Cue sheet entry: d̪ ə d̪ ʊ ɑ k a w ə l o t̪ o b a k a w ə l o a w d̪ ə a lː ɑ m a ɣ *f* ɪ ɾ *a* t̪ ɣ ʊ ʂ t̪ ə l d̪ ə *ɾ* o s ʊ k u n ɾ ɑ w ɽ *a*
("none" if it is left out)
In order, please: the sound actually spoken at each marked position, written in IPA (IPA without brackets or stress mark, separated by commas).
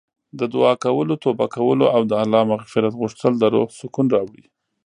f, a, ɾ, i